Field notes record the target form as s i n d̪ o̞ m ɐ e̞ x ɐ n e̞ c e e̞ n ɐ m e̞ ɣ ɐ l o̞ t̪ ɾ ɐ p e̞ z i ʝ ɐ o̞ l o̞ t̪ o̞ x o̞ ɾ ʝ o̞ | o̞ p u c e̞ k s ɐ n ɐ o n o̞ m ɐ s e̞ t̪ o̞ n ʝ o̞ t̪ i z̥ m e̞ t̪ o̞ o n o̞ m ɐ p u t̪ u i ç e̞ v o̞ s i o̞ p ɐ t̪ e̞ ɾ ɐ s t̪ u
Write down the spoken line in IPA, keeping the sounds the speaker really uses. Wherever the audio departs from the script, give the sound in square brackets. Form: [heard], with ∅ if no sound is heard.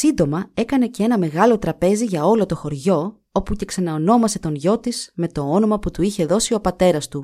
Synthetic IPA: s i n d̪ o̞ m ɐ e̞ [k] ɐ n e̞ c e e̞ n ɐ m e̞ ɣ ɐ l o̞ t̪ ɾ ɐ p e̞ z i ʝ ɐ o̞ l o̞ t̪ o̞ x o̞ ɾ ʝ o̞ | o̞ p u c e̞ k s ɐ n ɐ o n o̞ m ɐ s e̞ t̪ o̞ n ʝ o̞ t̪ i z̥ m e̞ t̪ o̞ o n o̞ m ɐ p u t̪ u i ç e̞ [ð] o̞ s i o̞ p ɐ t̪ e̞ ɾ ɐ s t̪ u